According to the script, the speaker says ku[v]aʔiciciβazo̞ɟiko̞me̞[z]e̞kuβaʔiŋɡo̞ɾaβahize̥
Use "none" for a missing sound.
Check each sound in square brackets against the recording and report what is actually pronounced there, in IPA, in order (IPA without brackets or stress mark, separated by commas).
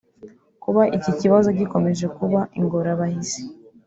β, ʒ